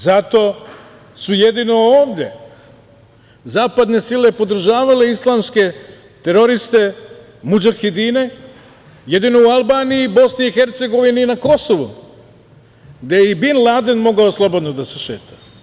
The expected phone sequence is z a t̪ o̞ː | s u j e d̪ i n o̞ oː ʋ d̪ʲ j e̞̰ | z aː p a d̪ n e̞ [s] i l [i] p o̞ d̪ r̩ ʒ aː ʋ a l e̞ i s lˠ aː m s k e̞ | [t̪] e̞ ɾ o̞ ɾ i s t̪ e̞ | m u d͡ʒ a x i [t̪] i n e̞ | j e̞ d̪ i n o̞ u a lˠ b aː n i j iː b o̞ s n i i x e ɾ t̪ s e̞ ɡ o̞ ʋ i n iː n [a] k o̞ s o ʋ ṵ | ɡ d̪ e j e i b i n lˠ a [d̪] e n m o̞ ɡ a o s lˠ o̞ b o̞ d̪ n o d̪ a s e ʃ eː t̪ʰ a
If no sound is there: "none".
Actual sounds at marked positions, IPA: s, e, t̪, d̪, a, d̪

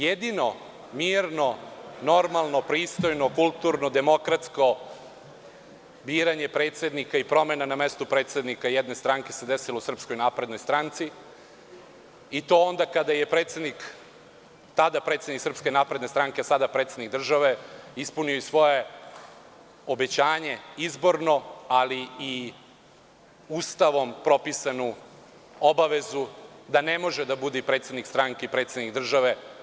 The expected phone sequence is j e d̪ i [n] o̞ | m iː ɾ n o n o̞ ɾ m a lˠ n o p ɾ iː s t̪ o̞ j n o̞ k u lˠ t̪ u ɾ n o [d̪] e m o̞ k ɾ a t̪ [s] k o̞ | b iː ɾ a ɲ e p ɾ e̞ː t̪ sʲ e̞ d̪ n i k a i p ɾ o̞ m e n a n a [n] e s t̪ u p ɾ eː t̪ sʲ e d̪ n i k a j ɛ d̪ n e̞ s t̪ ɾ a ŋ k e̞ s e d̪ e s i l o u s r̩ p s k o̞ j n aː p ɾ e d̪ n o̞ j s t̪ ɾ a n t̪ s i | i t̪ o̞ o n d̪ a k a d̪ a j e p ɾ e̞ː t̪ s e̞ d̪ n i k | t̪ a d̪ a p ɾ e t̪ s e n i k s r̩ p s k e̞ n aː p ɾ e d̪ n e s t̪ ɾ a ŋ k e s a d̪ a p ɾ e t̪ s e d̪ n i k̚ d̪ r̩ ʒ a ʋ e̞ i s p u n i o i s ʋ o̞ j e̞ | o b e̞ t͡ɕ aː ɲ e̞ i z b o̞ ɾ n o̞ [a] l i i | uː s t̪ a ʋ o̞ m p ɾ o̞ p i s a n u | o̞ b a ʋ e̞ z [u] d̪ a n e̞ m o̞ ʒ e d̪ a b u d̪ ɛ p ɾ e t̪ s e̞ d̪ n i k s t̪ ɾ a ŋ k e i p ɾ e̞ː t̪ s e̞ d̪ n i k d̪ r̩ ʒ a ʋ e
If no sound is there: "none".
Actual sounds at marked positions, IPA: n, d̪, s, m, a, u

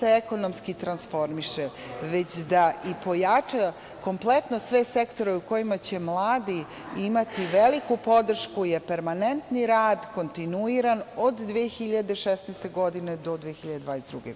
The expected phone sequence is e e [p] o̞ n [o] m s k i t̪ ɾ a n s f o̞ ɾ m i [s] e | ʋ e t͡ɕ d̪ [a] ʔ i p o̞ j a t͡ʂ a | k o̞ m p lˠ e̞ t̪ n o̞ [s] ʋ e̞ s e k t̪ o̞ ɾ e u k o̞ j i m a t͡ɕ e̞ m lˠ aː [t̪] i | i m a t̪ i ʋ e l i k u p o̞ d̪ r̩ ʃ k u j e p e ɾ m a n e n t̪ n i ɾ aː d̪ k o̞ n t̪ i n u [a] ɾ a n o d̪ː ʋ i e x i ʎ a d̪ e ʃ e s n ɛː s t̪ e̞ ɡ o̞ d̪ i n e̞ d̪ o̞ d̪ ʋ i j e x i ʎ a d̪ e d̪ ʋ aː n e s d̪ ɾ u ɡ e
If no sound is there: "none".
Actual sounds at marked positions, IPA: k, o, ʃ, a, s, d̪, i

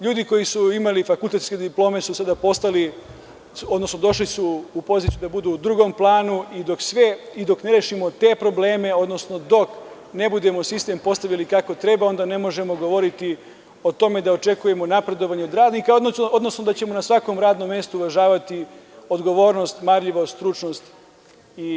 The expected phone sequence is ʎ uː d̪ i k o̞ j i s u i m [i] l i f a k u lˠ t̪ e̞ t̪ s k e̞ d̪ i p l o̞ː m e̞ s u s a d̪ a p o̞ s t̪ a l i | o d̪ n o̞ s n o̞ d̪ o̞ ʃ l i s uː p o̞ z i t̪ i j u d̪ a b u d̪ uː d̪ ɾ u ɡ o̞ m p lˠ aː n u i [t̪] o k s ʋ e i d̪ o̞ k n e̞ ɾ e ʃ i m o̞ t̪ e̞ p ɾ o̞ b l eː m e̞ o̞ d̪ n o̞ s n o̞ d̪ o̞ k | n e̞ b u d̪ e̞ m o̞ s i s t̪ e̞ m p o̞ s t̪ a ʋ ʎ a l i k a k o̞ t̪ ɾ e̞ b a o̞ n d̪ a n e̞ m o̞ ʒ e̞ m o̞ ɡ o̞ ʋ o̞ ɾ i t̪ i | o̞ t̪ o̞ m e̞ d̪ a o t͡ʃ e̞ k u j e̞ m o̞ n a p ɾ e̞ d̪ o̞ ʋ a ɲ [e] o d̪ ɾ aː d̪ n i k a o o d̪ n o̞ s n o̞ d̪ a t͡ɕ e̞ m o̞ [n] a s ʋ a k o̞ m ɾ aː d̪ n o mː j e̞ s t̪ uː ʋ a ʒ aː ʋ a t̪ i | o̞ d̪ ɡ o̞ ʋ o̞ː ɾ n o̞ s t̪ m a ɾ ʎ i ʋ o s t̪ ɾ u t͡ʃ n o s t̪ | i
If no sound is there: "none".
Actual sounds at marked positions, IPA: a, d̪, e, n

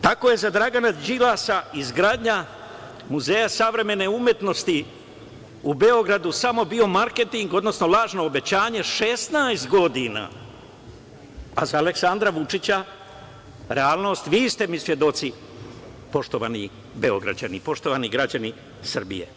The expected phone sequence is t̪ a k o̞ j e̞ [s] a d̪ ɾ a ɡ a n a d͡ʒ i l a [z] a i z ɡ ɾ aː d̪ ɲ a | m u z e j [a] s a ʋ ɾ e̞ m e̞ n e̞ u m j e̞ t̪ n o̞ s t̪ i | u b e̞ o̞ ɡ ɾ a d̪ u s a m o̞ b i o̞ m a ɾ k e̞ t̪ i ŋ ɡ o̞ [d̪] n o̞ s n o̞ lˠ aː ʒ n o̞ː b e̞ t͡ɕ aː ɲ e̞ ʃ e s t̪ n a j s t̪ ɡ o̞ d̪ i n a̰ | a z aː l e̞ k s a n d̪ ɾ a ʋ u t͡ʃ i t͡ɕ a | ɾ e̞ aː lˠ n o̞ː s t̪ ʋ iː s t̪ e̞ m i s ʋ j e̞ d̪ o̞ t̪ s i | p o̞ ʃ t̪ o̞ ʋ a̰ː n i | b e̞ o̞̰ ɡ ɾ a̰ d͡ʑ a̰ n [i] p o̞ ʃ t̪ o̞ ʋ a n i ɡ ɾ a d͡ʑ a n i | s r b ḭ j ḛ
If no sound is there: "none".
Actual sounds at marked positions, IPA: z, s, a, d̪, i

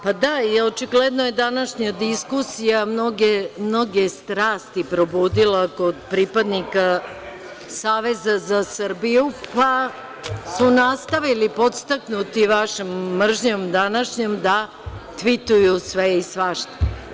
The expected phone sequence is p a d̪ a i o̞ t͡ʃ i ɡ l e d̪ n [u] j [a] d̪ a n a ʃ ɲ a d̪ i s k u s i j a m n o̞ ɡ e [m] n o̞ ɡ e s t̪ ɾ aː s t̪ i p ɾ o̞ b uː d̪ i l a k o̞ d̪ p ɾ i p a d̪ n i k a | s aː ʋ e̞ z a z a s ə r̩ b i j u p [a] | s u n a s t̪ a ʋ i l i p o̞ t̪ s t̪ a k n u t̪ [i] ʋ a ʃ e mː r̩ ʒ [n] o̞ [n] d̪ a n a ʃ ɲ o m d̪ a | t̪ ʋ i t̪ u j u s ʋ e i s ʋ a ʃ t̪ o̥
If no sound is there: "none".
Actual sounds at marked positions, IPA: o, e, m, a, i, ɲ, m

